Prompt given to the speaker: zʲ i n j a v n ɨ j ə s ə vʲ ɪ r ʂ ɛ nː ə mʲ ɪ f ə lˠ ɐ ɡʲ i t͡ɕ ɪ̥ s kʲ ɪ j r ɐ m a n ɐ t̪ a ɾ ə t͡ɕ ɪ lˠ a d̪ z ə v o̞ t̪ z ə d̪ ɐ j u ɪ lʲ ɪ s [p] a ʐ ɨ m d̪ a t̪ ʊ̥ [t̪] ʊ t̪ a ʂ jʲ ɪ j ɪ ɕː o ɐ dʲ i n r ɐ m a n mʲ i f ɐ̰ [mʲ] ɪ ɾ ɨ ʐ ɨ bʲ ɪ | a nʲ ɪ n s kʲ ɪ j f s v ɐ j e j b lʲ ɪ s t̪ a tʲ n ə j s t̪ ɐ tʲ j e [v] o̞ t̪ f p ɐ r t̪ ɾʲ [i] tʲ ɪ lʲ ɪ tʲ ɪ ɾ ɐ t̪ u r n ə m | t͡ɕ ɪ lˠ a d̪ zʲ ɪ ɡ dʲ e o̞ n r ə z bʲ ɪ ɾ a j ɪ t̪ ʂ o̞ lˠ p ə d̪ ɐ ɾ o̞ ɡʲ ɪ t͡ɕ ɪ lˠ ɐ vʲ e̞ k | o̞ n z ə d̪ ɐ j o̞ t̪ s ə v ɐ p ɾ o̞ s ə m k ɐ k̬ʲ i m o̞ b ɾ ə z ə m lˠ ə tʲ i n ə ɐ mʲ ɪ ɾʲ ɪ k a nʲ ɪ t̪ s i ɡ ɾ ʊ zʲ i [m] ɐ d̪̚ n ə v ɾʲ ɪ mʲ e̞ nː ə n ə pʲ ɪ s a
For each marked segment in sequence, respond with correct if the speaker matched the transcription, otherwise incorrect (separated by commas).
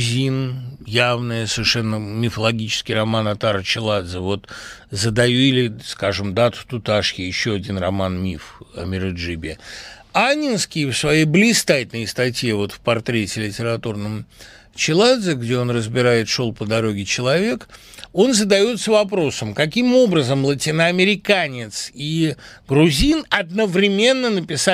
incorrect, correct, correct, correct, incorrect, incorrect